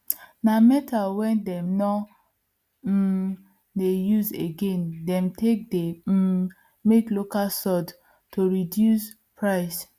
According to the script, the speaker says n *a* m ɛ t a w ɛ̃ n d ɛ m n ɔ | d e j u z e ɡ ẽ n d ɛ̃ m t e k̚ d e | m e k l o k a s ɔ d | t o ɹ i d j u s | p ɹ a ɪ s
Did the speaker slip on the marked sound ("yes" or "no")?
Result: no